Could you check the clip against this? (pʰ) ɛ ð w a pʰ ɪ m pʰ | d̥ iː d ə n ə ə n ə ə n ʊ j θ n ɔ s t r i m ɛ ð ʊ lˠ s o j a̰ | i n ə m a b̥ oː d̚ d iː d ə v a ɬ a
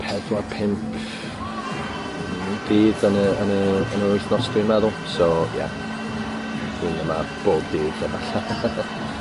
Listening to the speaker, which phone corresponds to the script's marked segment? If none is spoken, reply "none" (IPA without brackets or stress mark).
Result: pʰ